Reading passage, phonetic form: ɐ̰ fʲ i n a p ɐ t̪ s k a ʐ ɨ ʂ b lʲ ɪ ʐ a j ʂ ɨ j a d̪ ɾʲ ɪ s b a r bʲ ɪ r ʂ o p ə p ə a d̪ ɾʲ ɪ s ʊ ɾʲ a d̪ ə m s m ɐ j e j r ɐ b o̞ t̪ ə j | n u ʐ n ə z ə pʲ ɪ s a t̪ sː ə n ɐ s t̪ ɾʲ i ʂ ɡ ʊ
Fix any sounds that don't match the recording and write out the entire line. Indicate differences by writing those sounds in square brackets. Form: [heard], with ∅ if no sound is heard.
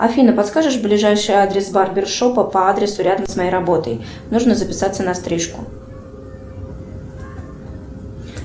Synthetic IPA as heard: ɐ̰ fʲ i n [ə] p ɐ t̪ s k a ʐ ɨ ʂ b lʲ ɪ ʐ a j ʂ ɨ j a d̪ ɾʲ ɪ s b a r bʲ ɪ r ʂ o p ə p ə a d̪ ɾʲ ɪ s ʊ ɾʲ a d̪ ə m s m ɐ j e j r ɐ b o̞ t̪ ə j | n u ʐ n ə z ə pʲ ɪ s a t̪ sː ə n ɐ s t̪ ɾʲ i ʂ [k] ʊ